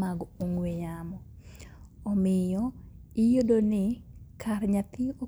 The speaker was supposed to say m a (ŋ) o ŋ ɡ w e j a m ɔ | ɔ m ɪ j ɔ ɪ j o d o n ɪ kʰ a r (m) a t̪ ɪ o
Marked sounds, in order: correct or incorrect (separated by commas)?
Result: incorrect, incorrect